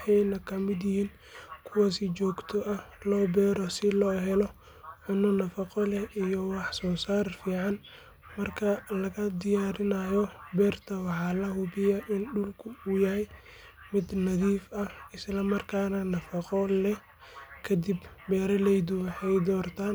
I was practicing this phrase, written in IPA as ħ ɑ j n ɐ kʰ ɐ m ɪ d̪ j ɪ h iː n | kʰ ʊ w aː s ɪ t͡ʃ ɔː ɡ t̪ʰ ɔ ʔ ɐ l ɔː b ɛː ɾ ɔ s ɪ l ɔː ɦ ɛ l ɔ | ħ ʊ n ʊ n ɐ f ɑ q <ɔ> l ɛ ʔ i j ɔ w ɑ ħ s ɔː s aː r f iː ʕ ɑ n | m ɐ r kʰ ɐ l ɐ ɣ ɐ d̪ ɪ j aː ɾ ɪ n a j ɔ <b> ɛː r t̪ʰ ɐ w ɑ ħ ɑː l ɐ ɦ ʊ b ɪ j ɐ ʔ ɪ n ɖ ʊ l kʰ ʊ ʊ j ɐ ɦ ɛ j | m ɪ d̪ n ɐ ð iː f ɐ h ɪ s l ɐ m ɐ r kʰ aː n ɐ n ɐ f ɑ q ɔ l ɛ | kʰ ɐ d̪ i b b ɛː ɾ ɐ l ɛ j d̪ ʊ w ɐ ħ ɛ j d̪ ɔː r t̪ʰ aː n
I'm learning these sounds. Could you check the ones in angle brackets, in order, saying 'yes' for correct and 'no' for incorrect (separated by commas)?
yes, yes